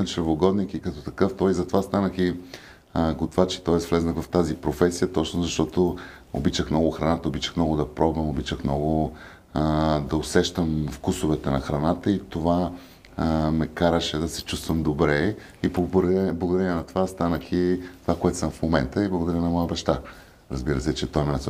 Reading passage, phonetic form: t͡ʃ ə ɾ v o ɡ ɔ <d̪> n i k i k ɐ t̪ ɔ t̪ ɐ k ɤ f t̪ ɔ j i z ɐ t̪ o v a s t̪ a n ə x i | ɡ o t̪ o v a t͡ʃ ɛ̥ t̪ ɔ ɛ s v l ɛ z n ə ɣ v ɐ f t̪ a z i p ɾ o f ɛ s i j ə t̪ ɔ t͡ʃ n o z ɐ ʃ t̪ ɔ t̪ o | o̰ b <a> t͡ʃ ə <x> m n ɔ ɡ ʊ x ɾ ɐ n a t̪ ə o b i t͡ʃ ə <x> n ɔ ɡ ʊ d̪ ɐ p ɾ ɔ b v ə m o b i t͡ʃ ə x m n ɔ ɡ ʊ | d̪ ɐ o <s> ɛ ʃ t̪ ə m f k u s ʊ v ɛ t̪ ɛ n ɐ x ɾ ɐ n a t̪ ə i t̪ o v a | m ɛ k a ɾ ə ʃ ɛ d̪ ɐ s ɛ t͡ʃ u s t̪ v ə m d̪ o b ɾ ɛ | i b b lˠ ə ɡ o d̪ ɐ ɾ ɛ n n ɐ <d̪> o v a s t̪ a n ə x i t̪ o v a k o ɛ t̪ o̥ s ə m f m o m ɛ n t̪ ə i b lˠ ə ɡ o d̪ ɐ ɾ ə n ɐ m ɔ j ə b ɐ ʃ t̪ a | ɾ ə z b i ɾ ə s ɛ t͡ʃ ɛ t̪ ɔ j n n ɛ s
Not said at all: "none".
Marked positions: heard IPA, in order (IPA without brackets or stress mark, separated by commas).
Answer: d̪, i, x, x, s, t̪